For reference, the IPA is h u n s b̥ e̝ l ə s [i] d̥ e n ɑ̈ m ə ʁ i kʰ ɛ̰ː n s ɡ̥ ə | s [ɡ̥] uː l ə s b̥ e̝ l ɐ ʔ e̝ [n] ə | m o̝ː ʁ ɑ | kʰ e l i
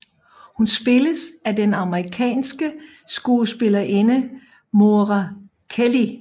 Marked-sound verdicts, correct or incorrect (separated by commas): incorrect, correct, correct